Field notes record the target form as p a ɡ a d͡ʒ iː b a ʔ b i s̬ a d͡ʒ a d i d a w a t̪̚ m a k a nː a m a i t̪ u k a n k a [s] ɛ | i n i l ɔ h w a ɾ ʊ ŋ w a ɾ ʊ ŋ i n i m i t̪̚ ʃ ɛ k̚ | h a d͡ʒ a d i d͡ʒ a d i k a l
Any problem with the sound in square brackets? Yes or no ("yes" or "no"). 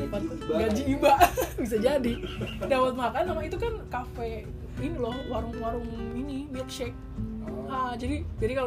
yes